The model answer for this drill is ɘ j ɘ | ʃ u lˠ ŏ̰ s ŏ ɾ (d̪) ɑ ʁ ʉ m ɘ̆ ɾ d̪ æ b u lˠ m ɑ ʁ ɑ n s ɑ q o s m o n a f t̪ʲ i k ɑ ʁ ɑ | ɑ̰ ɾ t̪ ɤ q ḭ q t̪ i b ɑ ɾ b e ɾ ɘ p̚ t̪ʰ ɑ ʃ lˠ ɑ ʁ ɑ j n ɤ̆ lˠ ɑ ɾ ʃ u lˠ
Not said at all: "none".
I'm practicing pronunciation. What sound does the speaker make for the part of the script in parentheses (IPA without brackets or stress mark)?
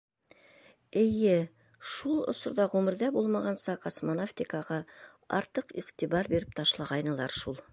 d̪